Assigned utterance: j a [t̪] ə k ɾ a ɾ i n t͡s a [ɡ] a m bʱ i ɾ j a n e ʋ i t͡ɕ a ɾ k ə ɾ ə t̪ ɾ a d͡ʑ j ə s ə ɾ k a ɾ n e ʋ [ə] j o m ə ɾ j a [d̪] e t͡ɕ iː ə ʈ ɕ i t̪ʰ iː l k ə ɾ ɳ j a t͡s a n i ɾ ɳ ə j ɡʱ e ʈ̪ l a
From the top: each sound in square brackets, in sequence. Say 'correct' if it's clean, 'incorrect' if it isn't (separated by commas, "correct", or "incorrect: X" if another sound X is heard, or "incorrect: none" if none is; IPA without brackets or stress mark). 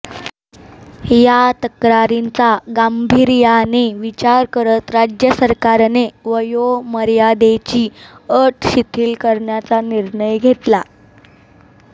correct, correct, correct, correct